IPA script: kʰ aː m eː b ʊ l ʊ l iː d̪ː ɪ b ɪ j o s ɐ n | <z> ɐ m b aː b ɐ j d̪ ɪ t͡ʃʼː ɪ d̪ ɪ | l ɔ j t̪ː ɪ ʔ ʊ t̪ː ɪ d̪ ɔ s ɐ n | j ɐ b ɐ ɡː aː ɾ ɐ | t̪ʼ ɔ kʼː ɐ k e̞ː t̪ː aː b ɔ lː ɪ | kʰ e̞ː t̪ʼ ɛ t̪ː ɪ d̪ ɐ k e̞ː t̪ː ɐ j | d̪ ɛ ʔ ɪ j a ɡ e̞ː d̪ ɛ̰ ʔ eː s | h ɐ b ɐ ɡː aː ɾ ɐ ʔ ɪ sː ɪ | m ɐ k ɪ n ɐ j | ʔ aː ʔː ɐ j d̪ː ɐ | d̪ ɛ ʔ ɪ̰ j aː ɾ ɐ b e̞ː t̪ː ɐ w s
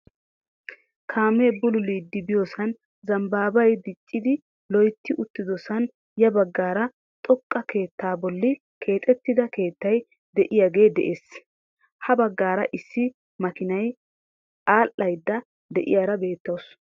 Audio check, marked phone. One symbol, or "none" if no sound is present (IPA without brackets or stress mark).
z